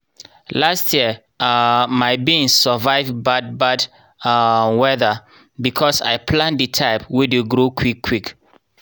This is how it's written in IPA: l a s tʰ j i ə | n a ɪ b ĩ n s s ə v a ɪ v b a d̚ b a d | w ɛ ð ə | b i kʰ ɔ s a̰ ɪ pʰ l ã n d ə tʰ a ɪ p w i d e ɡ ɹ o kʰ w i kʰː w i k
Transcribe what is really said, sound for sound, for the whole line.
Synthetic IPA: l a s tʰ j i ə | m a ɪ b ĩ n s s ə v a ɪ v b a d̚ b a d | w ɛ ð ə | b i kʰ ɔ s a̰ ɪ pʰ l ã n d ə tʰ a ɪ p w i d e ɡ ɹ o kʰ w i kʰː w i k